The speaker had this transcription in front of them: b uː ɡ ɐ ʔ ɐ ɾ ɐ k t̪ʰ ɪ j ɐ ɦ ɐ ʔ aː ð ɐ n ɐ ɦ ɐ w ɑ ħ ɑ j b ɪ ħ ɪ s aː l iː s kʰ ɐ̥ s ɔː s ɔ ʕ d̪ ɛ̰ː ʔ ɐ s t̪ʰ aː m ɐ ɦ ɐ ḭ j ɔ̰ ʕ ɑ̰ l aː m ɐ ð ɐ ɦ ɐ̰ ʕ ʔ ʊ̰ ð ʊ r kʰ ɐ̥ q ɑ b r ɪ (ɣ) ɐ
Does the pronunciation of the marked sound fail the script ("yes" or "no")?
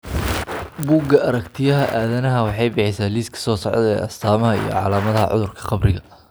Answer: no